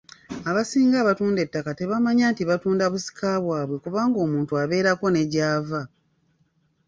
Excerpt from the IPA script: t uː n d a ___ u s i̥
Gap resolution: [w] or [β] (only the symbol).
β